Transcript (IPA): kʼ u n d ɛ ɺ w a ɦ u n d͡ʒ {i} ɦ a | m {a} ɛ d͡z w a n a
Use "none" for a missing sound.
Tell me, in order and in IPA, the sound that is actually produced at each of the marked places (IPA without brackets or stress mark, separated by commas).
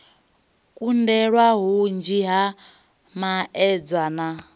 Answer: i, a